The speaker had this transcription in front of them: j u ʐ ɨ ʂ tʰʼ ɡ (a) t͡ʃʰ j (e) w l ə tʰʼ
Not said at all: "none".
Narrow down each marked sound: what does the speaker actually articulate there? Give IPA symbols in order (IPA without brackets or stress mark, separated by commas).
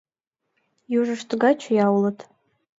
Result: a, a